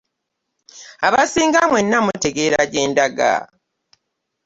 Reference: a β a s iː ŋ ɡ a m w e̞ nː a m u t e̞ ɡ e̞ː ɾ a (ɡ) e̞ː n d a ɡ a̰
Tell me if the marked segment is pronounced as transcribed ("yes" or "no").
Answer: no